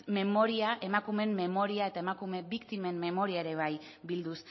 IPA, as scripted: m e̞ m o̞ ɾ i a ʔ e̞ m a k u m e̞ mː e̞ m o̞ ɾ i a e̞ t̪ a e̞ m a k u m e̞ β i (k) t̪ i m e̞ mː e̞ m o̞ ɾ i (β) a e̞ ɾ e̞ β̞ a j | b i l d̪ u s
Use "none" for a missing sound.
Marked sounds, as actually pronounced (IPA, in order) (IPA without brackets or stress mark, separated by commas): k, none